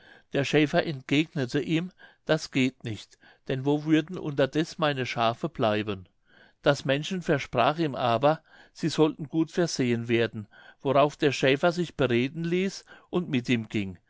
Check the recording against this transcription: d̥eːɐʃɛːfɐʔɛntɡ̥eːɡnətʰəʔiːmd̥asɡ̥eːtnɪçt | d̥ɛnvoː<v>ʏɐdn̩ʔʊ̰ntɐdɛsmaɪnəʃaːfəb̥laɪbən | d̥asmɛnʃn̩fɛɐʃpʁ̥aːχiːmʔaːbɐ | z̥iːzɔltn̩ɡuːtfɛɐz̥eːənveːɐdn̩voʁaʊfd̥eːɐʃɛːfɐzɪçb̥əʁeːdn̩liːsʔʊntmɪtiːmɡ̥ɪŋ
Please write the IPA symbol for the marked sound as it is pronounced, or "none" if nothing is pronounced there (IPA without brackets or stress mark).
v